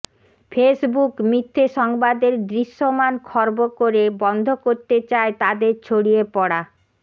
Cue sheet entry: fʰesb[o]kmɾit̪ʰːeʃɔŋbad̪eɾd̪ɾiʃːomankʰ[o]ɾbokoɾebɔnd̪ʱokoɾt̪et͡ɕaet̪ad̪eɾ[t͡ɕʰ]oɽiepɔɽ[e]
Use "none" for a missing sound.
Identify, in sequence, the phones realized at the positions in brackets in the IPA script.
u, ɔ, t͡ɕʰ, a

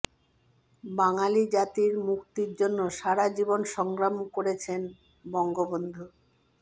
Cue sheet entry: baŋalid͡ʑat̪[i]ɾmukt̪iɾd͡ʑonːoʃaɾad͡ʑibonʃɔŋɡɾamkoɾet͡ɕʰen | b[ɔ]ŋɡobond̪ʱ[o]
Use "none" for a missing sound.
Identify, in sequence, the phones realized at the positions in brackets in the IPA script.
i, ɔ, u

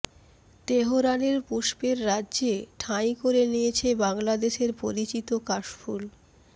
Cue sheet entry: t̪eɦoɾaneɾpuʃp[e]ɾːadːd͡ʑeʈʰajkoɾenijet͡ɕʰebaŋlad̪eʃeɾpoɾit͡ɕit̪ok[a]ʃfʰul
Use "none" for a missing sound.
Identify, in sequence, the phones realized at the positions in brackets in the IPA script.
e, a

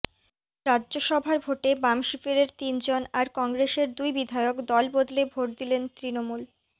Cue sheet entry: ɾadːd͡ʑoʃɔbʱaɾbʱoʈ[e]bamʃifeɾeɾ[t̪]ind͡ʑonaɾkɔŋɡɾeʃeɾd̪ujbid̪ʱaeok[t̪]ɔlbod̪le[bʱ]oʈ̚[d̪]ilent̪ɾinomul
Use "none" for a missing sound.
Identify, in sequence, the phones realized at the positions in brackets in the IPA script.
e, t̪, d̪, bʱ, d̪

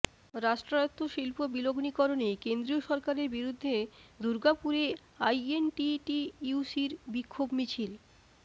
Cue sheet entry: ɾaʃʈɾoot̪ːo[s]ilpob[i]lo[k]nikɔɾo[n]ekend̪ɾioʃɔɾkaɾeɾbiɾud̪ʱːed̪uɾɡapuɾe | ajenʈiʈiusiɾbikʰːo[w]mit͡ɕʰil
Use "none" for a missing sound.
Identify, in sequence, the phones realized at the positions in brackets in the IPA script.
ʃ, i, ɡ, n, b

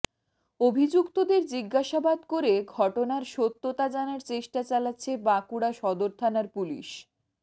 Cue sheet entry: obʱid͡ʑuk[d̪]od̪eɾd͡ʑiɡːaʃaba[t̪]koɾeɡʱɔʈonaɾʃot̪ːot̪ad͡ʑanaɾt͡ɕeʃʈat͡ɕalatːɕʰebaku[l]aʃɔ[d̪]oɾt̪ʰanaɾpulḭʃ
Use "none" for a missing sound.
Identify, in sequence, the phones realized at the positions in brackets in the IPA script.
t̪, d̪, ɽ, d̪

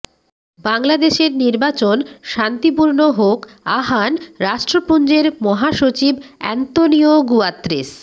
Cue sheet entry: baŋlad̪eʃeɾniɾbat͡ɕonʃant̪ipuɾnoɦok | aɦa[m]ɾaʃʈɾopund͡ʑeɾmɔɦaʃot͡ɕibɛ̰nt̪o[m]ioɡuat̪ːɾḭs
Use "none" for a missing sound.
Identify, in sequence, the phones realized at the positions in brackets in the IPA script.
n, n

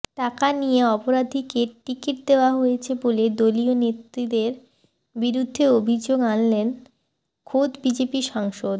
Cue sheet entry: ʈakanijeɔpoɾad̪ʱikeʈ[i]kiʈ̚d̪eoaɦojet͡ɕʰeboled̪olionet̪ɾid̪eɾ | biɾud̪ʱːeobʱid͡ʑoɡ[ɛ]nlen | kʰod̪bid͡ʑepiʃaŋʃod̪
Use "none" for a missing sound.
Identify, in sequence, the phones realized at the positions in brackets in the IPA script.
i, a

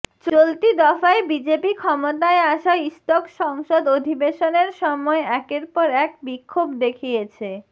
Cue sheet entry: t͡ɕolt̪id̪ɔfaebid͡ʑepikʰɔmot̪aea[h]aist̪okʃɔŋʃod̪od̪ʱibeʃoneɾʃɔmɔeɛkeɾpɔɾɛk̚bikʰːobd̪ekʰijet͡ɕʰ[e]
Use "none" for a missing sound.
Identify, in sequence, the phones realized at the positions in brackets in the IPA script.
ʃ, e

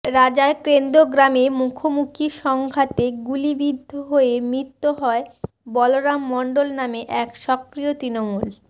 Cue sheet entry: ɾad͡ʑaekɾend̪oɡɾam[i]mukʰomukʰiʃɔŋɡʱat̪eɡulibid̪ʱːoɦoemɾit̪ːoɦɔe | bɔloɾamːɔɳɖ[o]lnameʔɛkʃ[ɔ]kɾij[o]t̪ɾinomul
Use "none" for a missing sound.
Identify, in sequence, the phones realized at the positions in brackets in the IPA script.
e, o, ɔ, o

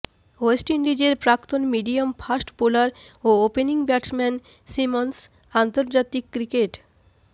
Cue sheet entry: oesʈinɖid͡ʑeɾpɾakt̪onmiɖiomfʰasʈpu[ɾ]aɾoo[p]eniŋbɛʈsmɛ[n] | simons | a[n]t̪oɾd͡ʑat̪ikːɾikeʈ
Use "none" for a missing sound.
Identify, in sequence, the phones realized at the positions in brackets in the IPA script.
l, p, n, n

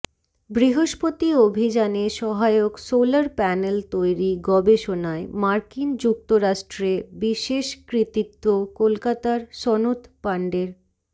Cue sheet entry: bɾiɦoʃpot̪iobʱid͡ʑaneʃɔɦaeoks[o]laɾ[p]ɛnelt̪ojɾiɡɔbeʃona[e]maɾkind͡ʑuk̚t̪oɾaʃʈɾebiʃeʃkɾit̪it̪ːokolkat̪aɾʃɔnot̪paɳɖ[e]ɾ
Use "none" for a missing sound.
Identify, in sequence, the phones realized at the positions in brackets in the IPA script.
o, p, e, e

